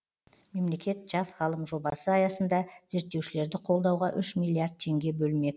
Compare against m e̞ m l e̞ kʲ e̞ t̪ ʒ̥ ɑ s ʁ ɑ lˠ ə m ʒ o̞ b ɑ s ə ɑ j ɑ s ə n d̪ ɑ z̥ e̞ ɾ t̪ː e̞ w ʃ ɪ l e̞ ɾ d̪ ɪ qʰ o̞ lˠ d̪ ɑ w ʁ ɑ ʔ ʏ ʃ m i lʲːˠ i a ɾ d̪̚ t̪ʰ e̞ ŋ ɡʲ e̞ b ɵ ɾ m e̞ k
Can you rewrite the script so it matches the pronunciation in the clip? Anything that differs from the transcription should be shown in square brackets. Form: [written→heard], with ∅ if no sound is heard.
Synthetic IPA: m e̞ m l e̞ kʲ e̞ t̪ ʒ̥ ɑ s ʁ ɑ lˠ ə m ʒ o̞ b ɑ s ə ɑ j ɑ s ə n d̪ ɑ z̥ e̞ ɾ t̪ː e̞ w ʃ ɪ l e̞ ɾ d̪ ɪ qʰ o̞ lˠ d̪ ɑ w ʁ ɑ ʔ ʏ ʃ m i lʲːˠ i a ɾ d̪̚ t̪ʰ e̞ ŋ ɡʲ e̞ b ɵ [ɾ→l] m e̞ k